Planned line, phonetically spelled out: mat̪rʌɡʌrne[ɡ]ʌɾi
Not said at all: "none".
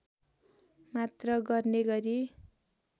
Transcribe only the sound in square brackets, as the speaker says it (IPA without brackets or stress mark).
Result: ɡ